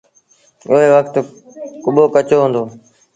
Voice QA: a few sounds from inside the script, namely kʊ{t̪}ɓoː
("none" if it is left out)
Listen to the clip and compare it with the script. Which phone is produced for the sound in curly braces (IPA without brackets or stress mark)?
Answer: none